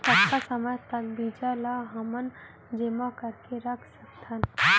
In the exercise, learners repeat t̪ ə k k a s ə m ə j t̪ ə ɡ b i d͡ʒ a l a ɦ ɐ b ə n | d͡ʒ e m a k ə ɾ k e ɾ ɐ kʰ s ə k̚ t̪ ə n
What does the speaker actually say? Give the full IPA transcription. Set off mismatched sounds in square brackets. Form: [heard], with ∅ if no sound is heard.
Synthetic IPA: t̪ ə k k a s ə m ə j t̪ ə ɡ b i d͡ʒ a l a ɦ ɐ [m] ə n | d͡ʒ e m a k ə ɾ k e ɾ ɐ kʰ s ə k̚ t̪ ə n